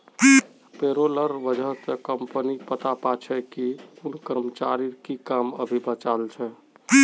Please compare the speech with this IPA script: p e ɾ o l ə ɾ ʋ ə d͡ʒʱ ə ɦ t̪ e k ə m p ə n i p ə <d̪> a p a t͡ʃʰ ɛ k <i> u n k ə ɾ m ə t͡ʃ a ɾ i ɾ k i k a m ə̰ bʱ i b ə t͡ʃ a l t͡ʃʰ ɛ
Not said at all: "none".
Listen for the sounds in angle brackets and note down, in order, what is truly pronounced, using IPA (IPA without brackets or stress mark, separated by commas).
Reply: t̪, i